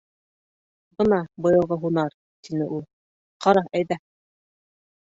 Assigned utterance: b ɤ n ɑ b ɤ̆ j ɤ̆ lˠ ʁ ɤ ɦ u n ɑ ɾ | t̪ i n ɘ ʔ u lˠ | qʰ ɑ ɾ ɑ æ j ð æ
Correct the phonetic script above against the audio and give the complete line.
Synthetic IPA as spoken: b ɤ n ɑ b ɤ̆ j ɤ̆ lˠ ʁ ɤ ɦ u n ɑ ɾ | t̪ i n ɘ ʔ u lˠ | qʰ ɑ ɾ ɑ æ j ð æ